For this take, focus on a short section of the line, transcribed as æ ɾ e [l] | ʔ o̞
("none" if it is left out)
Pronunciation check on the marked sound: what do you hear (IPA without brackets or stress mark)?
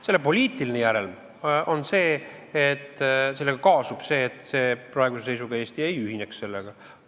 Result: l